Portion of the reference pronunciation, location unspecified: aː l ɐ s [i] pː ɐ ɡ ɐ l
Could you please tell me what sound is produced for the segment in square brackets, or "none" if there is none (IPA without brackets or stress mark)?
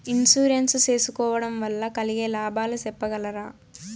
ɛ